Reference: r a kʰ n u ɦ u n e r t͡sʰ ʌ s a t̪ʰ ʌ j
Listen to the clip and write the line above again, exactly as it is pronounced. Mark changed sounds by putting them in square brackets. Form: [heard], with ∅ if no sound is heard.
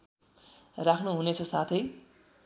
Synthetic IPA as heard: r a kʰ n u ɦ u n e [∅] t͡sʰ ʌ s a t̪ʰ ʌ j